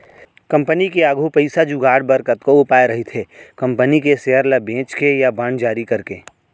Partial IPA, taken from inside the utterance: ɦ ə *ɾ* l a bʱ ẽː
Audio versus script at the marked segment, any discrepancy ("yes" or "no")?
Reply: no